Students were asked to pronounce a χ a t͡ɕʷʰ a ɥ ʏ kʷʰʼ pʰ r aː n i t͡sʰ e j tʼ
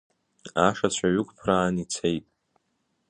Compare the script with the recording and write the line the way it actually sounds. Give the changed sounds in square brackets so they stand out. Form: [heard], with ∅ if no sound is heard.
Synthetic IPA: a [ʂ] a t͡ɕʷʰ a ɥ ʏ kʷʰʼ pʰ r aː n i t͡sʰ e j tʼ